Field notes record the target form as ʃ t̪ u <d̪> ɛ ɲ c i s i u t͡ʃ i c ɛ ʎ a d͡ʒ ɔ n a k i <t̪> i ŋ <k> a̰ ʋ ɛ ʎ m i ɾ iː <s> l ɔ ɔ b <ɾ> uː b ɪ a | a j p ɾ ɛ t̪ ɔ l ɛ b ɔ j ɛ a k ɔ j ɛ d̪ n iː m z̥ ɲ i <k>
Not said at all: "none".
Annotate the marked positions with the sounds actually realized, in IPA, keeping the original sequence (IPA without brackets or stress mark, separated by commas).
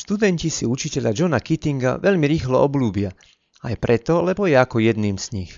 d̪, t̪, ɡ, x, l, x